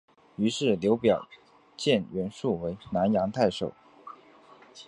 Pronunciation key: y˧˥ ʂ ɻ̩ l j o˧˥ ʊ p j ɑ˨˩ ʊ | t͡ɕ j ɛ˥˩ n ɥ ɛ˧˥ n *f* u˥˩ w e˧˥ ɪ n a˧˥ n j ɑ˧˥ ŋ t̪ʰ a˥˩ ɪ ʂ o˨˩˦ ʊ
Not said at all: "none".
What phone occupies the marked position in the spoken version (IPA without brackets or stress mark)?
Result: ʂ